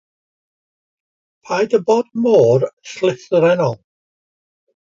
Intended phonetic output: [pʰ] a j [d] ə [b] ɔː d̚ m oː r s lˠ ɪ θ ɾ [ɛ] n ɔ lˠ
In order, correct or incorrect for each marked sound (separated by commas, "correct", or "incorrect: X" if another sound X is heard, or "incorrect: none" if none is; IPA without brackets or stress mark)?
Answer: correct, correct, correct, correct